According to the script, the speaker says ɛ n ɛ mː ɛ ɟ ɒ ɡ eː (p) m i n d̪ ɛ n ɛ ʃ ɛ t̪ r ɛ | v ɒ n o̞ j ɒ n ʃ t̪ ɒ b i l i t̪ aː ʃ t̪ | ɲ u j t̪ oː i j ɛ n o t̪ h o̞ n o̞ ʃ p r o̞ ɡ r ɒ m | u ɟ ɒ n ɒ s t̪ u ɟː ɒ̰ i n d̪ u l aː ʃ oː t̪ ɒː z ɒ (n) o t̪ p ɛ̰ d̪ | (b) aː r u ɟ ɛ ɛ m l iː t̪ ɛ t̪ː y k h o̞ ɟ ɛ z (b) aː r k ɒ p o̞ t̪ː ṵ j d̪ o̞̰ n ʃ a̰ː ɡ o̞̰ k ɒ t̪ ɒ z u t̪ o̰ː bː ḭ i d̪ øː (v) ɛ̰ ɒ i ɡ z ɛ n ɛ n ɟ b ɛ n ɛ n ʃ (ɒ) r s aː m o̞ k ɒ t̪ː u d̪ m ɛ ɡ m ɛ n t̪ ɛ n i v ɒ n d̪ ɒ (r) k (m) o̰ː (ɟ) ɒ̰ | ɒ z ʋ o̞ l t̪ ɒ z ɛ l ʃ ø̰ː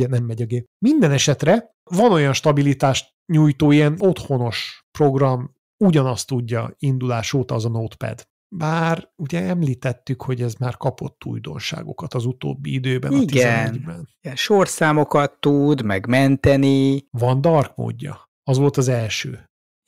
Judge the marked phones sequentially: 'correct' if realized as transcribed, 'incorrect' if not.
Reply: correct, correct, correct, incorrect: m, incorrect: b, incorrect: o, correct, correct, incorrect: ɟː

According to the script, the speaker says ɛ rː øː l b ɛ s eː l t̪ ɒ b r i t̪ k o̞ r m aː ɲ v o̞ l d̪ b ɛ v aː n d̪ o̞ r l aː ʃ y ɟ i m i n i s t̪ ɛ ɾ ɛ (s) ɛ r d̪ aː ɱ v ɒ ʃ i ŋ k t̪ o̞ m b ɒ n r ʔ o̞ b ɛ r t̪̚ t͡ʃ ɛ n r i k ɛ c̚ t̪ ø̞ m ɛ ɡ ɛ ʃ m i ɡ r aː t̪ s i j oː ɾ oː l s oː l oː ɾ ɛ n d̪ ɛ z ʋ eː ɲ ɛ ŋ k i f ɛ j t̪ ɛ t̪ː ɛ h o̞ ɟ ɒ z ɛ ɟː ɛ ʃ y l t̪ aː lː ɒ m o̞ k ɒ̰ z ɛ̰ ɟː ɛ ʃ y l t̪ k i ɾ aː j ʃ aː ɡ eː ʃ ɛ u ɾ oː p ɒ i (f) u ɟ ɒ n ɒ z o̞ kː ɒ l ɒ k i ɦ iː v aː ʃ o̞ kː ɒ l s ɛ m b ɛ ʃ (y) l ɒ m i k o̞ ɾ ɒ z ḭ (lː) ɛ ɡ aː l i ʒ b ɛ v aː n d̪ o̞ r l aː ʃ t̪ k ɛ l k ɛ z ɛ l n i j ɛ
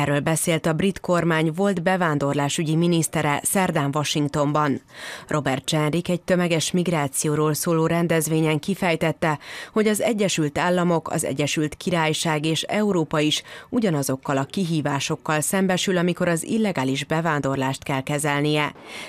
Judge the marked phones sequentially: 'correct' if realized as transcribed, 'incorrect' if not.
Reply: correct, incorrect: ʃ, correct, correct

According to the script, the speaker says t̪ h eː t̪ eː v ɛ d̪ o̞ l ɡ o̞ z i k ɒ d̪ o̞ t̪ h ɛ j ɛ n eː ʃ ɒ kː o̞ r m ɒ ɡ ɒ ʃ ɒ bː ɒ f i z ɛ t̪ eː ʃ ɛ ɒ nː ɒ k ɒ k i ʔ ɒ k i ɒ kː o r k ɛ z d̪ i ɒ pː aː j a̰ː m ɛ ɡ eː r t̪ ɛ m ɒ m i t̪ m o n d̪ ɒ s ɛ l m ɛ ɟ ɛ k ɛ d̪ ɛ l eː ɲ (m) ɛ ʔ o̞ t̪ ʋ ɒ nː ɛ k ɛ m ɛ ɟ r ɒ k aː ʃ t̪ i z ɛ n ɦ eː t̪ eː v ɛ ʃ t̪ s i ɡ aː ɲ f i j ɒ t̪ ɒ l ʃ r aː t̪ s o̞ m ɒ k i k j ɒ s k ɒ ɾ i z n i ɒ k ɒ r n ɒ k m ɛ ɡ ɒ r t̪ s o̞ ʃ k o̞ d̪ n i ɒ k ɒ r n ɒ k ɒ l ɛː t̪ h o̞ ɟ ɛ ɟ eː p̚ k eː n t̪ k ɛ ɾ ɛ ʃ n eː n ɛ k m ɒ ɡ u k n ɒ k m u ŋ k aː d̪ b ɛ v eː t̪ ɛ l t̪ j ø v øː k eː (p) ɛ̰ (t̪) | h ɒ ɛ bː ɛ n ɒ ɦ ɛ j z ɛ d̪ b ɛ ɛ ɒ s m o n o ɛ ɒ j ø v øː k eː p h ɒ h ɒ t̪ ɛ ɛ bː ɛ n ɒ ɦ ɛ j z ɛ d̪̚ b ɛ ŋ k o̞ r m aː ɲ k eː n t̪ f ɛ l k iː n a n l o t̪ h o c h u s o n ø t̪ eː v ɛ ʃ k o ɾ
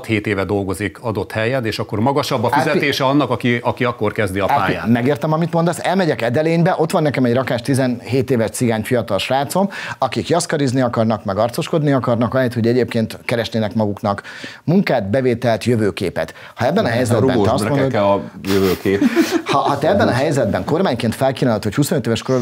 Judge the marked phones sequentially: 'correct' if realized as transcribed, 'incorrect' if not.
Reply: incorrect: b, correct, correct

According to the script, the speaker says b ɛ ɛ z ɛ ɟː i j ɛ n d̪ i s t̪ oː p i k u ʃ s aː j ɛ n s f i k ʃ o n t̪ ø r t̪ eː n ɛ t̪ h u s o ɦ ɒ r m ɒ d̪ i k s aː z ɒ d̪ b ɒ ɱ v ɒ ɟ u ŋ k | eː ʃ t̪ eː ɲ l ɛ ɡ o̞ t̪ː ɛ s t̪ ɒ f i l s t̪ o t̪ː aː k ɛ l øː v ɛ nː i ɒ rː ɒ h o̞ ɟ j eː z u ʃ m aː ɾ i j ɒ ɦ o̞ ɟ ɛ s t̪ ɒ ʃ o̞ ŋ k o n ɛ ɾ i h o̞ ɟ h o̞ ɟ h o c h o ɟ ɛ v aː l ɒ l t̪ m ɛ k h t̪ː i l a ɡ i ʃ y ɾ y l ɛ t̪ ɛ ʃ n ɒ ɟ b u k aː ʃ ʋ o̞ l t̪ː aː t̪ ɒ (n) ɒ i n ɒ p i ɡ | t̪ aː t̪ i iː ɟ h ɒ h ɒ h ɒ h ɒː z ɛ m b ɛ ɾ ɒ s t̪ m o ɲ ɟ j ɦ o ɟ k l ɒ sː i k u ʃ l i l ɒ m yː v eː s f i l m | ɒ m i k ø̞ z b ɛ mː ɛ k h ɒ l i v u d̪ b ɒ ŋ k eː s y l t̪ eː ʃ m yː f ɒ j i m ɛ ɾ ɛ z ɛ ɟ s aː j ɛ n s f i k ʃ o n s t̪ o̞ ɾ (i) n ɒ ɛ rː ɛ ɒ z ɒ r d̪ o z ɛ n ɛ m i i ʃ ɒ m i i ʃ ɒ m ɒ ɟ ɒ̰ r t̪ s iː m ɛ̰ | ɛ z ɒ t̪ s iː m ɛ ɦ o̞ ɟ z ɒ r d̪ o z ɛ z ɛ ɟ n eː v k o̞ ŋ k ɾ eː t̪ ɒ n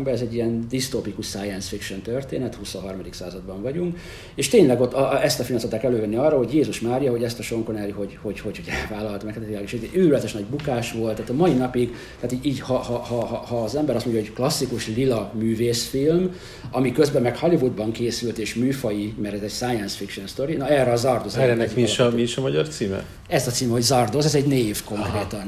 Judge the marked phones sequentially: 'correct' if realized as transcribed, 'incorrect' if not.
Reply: incorrect: m, correct

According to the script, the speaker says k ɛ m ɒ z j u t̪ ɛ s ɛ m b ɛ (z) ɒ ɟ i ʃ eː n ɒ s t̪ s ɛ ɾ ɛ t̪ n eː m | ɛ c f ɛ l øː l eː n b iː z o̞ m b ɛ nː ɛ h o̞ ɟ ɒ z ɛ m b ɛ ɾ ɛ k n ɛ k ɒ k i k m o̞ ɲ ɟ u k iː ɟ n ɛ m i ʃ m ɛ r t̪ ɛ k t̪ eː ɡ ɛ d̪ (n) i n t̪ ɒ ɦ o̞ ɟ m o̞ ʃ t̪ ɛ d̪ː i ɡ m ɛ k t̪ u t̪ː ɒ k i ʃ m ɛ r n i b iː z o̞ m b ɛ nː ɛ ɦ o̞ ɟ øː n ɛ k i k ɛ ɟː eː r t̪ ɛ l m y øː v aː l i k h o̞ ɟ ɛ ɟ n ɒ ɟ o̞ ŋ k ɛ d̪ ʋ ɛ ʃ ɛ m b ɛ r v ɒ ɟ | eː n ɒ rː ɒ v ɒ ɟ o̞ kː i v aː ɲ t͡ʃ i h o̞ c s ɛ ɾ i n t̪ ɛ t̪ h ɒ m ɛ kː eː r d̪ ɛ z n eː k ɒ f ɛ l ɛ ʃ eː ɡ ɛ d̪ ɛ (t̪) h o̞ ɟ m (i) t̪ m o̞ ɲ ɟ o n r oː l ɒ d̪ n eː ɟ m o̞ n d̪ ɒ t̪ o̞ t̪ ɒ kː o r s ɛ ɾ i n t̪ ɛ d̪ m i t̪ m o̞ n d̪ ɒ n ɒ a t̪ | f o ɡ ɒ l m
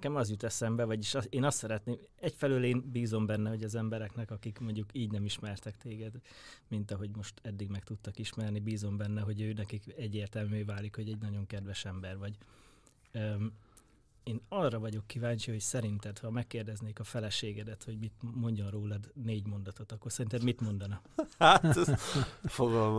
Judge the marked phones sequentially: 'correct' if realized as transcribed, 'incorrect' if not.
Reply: incorrect: v, incorrect: m, correct, correct

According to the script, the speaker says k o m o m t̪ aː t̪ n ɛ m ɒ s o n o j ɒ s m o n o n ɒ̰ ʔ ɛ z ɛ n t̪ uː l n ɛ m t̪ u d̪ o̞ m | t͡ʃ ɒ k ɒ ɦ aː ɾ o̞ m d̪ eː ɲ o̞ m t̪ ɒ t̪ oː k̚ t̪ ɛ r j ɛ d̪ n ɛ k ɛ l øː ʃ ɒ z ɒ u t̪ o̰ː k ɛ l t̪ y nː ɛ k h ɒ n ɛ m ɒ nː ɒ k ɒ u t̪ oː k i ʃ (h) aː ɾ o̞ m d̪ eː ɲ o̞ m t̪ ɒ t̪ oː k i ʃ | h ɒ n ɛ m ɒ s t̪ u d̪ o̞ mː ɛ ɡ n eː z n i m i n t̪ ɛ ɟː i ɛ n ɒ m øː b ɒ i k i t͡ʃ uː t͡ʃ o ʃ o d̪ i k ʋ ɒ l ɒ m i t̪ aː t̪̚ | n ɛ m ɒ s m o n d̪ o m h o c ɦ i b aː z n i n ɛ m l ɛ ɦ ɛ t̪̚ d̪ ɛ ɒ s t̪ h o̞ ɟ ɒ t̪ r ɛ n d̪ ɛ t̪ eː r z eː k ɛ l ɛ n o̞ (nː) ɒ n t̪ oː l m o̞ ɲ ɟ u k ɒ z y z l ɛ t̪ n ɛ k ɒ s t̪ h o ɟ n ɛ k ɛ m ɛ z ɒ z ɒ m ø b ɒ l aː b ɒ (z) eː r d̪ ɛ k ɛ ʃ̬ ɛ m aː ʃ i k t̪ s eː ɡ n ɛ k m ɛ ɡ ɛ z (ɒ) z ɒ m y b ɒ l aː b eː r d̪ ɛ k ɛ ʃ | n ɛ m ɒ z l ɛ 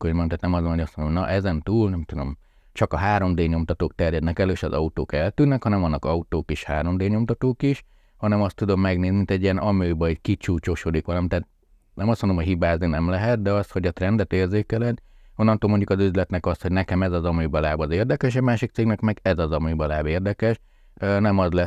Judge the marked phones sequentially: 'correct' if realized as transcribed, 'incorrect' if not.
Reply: correct, correct, correct, correct

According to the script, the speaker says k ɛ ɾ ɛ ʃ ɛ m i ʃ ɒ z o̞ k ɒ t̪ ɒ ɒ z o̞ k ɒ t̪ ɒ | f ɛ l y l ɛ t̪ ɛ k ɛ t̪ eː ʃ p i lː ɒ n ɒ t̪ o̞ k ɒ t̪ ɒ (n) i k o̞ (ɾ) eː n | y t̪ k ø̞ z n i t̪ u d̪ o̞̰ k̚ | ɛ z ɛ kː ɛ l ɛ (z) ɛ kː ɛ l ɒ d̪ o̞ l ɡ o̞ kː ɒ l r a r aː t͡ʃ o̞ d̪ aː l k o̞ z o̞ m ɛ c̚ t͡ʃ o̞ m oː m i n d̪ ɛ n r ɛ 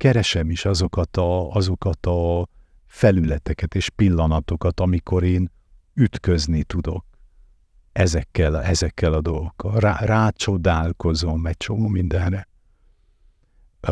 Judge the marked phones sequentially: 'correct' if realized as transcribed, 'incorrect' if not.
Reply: incorrect: m, correct, correct

